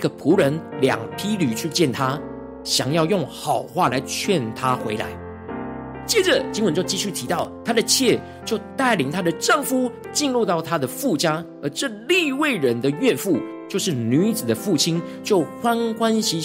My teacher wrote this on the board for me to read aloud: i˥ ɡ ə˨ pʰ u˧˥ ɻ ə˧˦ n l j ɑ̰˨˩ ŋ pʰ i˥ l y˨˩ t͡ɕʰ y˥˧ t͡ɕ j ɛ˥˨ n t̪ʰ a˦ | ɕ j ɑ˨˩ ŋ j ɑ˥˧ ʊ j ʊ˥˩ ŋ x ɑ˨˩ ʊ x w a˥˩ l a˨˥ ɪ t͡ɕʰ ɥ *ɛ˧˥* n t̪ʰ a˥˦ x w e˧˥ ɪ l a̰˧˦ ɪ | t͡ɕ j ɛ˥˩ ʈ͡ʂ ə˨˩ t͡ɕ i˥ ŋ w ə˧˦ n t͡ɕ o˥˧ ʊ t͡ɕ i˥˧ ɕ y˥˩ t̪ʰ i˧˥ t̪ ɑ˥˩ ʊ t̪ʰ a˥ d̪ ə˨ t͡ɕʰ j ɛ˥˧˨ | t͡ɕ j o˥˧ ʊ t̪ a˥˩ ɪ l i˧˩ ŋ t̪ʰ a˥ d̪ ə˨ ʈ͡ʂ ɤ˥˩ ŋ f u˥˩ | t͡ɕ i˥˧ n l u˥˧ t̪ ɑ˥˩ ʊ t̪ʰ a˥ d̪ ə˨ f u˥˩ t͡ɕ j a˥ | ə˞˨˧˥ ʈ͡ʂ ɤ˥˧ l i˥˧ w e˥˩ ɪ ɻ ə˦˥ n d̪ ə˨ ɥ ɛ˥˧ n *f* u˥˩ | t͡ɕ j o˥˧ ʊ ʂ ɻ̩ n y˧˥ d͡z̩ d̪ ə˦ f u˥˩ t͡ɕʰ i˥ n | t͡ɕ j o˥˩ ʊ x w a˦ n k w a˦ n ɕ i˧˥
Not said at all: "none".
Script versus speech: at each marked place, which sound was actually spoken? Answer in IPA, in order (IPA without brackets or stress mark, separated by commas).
ɛ˥˨, f